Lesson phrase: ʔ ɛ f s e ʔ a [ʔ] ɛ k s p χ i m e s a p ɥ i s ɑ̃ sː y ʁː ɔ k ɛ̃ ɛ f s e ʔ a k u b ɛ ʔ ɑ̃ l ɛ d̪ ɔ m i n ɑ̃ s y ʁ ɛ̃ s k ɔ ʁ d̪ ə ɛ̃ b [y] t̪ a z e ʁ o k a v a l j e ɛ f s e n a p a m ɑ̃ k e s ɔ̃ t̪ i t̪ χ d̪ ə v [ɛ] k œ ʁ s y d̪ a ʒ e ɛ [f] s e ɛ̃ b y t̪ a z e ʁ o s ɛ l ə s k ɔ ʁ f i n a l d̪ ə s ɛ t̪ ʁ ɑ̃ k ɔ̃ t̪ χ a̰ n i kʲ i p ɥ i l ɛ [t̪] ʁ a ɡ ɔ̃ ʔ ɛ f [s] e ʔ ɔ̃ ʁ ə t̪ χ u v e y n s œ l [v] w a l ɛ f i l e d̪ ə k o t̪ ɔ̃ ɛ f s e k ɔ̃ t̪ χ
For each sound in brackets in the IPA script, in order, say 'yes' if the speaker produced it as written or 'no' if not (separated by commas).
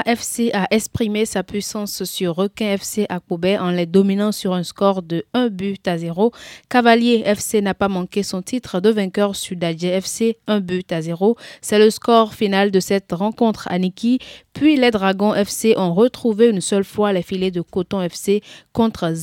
yes, yes, no, yes, no, yes, no